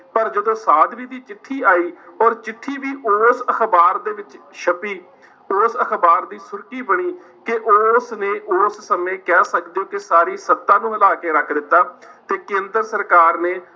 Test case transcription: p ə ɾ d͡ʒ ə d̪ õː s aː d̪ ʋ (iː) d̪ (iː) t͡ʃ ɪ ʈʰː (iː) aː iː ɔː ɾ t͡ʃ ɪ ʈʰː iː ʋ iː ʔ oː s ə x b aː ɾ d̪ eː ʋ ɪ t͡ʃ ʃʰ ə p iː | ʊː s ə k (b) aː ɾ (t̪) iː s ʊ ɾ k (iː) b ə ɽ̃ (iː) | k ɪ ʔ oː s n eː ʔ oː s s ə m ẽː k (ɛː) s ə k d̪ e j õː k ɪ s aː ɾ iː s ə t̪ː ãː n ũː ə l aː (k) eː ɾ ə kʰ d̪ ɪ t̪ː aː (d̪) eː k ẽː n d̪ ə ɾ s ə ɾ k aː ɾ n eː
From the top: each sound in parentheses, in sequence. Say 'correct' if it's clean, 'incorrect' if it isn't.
correct, correct, correct, correct, incorrect, correct, correct, correct, correct, incorrect

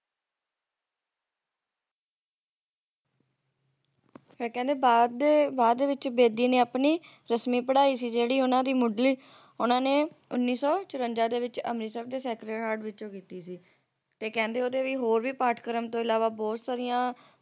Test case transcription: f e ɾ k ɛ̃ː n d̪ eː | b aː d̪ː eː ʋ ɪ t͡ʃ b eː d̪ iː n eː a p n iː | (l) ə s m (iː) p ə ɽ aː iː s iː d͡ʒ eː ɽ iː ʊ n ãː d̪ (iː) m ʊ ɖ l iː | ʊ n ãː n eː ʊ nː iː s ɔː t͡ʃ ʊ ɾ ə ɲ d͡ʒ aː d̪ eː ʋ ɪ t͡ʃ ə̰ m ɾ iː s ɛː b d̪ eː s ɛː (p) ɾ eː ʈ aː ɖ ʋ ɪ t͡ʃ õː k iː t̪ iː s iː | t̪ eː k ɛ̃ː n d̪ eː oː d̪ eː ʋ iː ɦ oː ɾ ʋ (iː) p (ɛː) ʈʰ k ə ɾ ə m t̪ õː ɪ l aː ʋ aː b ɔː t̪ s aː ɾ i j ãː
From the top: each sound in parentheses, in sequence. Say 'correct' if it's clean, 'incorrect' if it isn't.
incorrect, correct, correct, incorrect, correct, incorrect

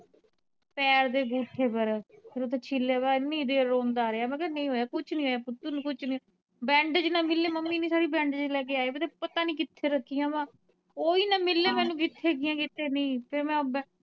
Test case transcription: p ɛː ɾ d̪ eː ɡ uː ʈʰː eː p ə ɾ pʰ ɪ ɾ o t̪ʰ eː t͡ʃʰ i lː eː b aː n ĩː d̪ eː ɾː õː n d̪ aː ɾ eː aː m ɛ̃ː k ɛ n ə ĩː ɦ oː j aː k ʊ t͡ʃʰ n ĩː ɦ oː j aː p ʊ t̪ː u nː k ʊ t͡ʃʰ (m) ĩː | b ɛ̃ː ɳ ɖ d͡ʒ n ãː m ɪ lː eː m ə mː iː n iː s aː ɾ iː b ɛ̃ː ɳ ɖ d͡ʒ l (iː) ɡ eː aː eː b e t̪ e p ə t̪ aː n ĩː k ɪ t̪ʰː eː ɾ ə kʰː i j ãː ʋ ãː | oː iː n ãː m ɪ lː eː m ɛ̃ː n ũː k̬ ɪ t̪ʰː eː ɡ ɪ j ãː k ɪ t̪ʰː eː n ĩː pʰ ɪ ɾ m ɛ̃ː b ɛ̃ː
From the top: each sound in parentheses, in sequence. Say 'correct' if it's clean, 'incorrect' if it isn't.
incorrect, incorrect

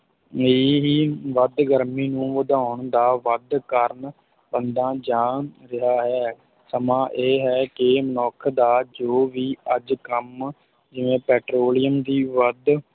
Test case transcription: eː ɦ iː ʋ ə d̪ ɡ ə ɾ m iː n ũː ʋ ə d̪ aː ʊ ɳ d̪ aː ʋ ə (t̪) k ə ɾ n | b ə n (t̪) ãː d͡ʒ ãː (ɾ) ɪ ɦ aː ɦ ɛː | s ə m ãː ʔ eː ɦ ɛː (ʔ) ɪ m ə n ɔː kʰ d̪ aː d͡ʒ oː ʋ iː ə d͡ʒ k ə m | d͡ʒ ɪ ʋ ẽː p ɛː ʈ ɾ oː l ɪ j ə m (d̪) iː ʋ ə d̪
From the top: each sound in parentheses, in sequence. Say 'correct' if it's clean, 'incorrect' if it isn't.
incorrect, incorrect, correct, incorrect, correct

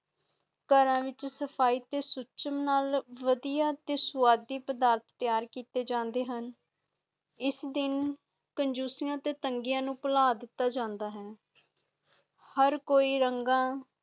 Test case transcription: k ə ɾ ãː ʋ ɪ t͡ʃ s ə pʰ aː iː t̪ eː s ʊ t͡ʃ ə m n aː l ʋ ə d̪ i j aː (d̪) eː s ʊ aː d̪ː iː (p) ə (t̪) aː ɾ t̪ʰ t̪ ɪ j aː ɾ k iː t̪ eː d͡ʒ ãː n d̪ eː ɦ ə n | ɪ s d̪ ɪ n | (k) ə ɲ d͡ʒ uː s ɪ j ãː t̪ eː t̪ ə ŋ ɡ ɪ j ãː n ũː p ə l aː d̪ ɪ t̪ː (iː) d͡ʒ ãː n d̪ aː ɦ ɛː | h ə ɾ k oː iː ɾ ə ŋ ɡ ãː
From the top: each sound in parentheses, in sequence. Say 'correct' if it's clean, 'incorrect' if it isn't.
incorrect, correct, incorrect, correct, incorrect

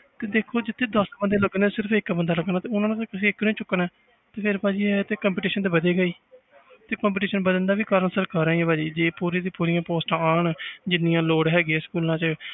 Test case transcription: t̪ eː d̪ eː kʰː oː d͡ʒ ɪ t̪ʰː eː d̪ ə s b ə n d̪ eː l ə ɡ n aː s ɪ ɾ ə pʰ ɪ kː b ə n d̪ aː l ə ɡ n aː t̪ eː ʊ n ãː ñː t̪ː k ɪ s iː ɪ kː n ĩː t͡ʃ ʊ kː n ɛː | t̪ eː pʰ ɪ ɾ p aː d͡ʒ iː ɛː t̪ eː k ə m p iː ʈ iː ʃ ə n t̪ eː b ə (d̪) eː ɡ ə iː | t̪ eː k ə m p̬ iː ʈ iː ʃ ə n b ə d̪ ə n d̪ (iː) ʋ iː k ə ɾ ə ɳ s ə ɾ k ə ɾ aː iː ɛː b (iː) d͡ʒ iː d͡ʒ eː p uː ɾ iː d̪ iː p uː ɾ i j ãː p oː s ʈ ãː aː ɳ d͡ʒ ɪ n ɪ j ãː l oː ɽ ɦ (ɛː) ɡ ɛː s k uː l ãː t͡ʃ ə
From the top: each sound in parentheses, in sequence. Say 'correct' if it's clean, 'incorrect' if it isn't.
correct, incorrect, incorrect, correct

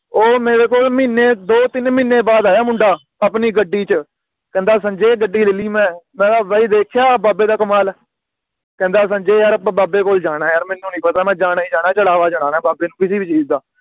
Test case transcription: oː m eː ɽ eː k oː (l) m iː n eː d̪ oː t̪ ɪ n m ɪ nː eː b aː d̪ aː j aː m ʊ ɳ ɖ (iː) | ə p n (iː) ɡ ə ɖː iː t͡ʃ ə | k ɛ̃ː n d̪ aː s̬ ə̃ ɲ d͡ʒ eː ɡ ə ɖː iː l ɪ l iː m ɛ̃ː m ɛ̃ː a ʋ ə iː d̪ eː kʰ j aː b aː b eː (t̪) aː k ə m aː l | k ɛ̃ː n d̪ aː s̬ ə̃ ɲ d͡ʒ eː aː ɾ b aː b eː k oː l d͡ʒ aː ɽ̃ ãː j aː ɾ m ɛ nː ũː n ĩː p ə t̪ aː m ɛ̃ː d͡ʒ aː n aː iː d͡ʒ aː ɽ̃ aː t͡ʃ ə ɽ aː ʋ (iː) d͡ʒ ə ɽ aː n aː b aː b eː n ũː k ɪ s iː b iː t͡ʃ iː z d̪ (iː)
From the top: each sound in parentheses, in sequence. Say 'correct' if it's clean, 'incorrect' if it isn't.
correct, incorrect, correct, incorrect, incorrect, incorrect

